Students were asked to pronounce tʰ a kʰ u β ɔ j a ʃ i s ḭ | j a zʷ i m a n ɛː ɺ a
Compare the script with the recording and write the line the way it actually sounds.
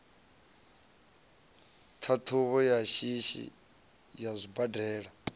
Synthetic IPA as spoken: tʰ a tʰ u β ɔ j a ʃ i ʃ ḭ | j a zʷ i b a d ɛː ɺ a